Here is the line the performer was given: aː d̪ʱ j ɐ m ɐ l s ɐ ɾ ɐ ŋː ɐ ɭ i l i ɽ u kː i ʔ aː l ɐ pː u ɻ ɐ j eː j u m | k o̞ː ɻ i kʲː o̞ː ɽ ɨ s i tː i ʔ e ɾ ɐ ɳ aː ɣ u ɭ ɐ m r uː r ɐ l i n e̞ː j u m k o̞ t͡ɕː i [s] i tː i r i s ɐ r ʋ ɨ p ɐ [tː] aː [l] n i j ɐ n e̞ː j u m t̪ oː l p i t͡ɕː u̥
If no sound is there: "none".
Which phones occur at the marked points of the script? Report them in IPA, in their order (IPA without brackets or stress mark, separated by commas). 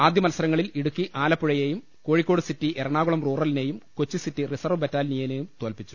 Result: s, tː, l